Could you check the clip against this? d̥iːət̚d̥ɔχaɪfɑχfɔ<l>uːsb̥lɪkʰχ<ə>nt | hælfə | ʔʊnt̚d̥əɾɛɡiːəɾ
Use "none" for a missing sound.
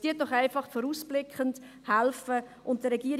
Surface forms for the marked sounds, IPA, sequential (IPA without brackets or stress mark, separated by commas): ɾ, ə